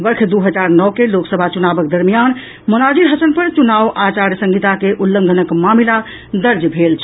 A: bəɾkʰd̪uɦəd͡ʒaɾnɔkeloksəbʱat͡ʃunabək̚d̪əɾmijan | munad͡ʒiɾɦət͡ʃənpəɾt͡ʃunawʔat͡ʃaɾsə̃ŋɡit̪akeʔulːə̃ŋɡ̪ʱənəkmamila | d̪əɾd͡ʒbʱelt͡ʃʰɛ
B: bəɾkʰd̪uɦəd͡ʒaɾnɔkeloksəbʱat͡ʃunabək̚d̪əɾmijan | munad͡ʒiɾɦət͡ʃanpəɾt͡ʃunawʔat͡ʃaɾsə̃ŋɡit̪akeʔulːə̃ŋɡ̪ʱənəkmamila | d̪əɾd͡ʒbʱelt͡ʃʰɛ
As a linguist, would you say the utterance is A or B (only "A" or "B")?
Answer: A